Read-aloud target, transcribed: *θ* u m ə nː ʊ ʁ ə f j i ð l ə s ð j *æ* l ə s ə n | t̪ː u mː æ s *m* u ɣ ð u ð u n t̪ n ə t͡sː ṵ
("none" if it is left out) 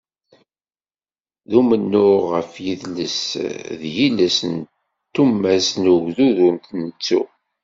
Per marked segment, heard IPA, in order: ð, i, n

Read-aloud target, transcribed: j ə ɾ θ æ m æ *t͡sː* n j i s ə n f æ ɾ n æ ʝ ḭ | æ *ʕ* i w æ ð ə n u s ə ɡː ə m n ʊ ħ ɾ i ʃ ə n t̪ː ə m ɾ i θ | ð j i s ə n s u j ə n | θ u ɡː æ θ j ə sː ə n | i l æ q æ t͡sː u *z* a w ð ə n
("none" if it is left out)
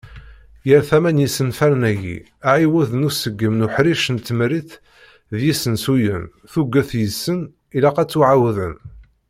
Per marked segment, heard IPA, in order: none, ʕ, ʕ

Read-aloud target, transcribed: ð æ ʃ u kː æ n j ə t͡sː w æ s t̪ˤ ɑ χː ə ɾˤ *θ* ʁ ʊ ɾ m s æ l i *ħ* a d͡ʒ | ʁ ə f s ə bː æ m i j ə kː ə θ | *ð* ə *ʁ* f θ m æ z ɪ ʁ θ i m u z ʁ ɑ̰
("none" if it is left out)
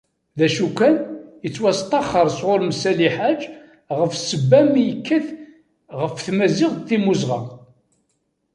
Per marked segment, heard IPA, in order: s, ħ, ʁ, none

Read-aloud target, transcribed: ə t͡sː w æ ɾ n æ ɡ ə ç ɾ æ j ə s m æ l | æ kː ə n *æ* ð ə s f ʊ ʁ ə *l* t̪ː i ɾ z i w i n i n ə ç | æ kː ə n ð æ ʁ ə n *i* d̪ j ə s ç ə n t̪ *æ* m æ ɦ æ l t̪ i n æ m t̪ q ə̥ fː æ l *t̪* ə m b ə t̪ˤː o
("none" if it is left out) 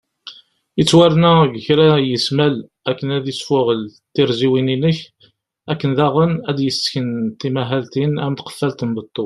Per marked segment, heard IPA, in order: æ, l, æ, i, t̪

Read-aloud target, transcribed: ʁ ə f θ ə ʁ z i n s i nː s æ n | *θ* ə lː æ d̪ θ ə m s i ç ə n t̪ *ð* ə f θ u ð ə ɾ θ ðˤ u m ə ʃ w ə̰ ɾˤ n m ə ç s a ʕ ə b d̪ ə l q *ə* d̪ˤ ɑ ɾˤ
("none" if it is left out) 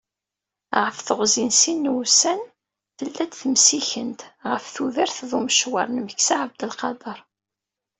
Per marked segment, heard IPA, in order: θ, ʁ, ɑ

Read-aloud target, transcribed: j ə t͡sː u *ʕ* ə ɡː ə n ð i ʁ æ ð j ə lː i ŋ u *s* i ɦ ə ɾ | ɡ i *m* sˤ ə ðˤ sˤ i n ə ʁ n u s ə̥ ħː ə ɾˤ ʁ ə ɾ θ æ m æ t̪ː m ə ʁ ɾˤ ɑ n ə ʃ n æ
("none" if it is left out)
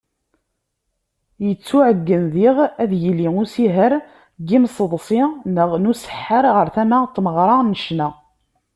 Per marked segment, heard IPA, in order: ʕ, s, m

